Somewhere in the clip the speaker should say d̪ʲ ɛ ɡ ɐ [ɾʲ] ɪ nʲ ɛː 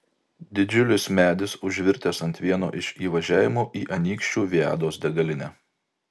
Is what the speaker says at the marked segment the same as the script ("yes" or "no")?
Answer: no